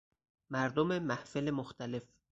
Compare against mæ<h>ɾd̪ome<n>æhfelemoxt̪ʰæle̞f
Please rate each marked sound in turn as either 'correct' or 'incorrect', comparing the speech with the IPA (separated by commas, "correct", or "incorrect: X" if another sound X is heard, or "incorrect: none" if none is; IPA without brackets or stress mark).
incorrect: none, incorrect: m